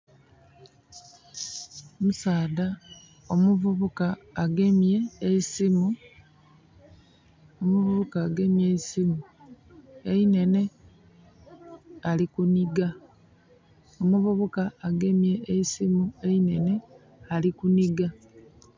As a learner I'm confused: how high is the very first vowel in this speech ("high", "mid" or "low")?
high